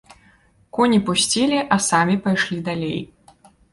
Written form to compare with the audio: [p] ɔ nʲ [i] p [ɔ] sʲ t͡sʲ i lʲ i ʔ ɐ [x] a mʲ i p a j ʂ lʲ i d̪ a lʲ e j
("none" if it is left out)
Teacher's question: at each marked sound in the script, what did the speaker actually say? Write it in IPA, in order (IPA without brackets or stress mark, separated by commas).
k, i, u, s